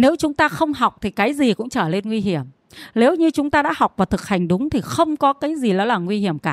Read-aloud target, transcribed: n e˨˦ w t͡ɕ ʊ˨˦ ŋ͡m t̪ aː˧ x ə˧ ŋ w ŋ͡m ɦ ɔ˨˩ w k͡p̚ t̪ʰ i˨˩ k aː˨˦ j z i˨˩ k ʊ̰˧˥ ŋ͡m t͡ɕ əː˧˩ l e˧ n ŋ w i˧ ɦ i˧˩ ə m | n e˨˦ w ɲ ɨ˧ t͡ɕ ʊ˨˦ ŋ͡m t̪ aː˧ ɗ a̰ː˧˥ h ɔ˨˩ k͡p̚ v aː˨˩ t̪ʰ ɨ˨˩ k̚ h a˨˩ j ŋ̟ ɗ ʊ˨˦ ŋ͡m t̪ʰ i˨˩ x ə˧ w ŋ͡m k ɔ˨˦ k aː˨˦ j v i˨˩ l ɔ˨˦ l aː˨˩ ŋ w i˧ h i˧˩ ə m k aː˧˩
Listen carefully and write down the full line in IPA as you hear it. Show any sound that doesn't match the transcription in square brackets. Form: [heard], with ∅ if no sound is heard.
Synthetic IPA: n e˨˦ w t͡ɕ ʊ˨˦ ŋ͡m t̪ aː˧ x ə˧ [∅] w ŋ͡m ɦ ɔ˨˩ w k͡p̚ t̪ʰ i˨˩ k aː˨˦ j z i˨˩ k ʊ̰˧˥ ŋ͡m t͡ɕ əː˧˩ l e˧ n ŋ w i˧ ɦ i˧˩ ə m | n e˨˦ w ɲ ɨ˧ t͡ɕ ʊ˨˦ ŋ͡m t̪ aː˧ ɗ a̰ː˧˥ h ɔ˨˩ k͡p̚ v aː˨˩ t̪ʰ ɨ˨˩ k̚ h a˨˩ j ŋ̟ ɗ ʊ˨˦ ŋ͡m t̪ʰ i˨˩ x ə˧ w ŋ͡m k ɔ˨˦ k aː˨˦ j [z] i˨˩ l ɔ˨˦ l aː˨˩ ŋ w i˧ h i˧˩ ə m k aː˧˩